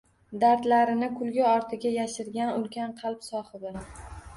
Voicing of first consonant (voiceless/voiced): voiced